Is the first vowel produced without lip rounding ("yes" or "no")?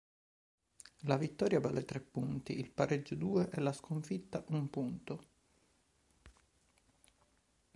yes